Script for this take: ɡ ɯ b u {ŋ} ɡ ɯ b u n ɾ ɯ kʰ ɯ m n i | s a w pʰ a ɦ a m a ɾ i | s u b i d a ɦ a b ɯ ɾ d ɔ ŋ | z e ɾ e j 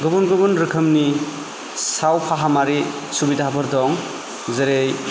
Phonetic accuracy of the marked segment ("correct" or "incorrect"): incorrect